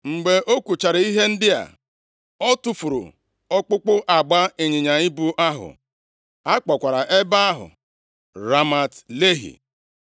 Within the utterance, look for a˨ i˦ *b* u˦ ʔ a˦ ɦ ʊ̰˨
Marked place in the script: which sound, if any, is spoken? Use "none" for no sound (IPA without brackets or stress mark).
b